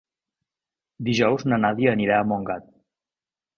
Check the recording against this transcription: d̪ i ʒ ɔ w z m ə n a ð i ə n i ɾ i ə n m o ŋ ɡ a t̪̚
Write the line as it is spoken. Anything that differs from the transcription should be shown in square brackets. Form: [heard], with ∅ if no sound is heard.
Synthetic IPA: d̪ i ʒ ɔ w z [n] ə n a ð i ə n i ɾ [a] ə [∅] m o ŋ ɡ a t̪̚